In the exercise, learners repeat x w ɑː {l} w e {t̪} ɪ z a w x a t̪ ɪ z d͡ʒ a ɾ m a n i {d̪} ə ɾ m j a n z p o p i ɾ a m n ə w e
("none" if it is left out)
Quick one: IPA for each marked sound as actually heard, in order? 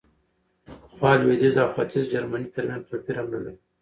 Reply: l, d̪, t̪

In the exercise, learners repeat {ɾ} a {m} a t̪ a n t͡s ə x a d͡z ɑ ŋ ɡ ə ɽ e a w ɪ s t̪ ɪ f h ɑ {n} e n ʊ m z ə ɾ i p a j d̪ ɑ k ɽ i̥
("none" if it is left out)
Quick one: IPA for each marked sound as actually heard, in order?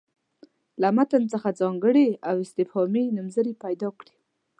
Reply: l, m, m

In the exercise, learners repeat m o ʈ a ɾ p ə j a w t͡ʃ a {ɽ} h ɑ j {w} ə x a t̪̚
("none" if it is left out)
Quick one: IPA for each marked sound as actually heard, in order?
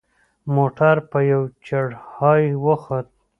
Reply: ɽ, w

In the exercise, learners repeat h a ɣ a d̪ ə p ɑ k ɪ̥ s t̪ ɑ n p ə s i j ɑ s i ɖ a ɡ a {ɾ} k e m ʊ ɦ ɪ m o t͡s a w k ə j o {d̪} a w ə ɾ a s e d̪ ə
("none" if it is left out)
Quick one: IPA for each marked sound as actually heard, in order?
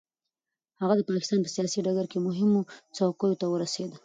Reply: ɾ, t̪

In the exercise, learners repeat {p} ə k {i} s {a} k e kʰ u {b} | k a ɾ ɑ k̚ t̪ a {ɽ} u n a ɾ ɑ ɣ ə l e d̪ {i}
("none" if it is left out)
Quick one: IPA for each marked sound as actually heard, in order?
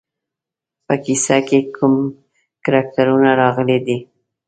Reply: p, i, a, m, ɾ, i

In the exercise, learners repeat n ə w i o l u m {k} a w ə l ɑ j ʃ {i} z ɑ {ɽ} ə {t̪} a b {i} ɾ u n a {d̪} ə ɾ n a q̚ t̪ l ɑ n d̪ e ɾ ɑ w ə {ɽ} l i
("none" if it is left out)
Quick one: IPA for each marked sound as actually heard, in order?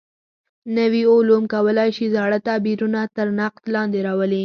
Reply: k, i, ɽ, t̪, i, t̪, none

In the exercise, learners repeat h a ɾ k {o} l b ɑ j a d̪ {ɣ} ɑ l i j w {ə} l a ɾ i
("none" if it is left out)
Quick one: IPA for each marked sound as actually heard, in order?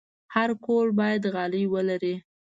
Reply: o, ɣ, ə

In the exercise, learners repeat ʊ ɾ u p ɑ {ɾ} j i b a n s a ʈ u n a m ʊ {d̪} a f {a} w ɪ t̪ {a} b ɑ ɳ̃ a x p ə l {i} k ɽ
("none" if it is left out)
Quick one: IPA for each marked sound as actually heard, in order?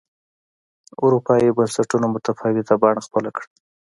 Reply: none, t̪, ɑ, a, a

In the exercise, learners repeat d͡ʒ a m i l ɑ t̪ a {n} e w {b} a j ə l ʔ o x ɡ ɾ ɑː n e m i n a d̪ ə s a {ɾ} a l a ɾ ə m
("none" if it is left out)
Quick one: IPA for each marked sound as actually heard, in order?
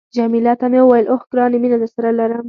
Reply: m, w, ɾ

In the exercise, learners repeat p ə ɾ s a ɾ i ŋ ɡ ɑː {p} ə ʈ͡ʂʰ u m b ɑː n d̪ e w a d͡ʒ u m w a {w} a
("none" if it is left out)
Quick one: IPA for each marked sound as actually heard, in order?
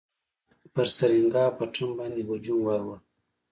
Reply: p, w

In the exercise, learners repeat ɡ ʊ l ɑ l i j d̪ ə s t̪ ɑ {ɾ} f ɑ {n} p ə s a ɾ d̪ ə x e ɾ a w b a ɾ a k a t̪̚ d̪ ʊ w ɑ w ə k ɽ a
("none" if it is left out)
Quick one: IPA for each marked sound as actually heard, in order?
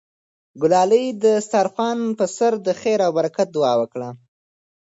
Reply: ɾ, n

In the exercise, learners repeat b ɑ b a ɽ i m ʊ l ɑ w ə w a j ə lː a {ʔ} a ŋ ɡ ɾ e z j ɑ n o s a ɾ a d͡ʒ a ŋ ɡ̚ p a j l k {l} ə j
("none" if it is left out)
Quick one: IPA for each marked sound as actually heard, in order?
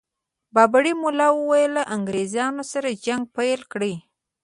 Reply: ʔ, ɽ

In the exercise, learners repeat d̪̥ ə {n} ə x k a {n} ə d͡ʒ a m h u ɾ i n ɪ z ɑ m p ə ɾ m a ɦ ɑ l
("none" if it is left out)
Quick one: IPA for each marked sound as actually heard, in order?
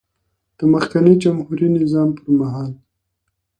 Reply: m, n

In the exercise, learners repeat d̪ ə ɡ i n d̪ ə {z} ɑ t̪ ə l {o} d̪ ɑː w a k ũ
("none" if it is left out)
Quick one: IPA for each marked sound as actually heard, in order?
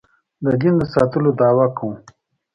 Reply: s, o

